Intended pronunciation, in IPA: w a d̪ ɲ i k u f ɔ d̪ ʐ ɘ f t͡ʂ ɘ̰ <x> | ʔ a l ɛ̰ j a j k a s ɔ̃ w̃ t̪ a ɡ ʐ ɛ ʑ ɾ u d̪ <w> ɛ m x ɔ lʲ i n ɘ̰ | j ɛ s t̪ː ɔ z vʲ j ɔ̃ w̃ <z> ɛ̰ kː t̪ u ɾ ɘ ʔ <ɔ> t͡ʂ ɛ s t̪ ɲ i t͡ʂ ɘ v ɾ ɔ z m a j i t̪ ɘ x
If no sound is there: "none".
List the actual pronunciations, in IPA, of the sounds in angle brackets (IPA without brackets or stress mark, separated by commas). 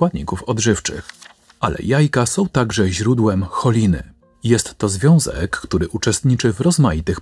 x, w, z, u